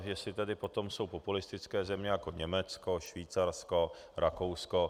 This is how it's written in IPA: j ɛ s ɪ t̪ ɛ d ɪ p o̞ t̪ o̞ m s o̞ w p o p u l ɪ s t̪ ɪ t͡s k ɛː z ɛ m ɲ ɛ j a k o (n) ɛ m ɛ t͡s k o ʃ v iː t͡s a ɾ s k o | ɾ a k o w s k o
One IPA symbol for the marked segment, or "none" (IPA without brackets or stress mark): ɲ